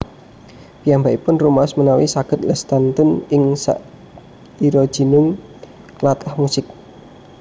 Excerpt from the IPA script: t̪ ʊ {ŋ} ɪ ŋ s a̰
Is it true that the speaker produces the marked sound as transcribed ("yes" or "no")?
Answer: no